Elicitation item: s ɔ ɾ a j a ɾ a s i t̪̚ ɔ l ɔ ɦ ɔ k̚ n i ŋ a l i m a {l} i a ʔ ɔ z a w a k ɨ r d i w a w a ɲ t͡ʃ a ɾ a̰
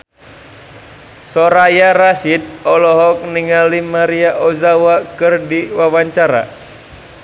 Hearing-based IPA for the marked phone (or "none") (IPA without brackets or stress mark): ɾ